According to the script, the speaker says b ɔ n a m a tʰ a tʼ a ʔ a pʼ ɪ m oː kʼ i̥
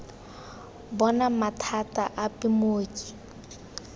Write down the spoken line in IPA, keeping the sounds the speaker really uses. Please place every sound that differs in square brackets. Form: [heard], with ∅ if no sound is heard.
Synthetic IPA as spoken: b ɔ n a m a tʰ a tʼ a ʔ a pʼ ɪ m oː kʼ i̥

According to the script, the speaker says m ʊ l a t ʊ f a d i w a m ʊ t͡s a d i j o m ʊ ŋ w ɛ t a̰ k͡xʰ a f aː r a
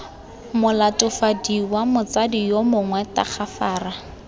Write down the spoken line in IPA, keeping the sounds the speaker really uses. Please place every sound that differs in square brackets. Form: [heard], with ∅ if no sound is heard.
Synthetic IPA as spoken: m ʊ l a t ʊ f a d i w a m ʊ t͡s a d i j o m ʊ ŋ w ɛ t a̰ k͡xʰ a f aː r a

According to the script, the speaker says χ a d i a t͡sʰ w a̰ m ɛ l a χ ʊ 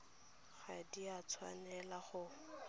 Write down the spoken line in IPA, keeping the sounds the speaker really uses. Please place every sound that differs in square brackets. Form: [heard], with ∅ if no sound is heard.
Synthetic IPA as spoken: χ a d i a t͡sʰ w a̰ [n] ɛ l a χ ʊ

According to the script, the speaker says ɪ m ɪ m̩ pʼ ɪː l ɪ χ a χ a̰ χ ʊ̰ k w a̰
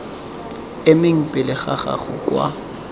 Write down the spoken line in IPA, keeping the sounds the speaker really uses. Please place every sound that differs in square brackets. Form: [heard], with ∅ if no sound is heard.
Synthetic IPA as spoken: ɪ m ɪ [ŋ̩] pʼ [ɪ] l ɪ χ a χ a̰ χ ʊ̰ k w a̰

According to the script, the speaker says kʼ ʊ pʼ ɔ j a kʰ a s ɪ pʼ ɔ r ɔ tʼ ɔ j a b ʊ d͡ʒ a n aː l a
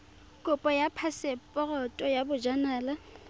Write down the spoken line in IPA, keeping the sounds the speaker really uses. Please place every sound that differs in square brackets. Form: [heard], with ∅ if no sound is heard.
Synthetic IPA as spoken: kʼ ʊ pʼ ɔ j a [pʰ] a s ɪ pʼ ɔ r ɔ tʼ ɔ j a b ʊ d͡ʒ a n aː l a

